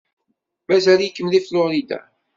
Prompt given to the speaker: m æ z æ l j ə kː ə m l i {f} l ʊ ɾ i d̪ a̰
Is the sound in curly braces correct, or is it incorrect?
correct